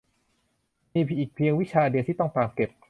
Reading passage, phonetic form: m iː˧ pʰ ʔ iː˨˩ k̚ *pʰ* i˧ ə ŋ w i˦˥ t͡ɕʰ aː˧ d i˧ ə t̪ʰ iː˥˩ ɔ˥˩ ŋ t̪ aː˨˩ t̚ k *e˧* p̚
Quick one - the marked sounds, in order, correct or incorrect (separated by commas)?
correct, incorrect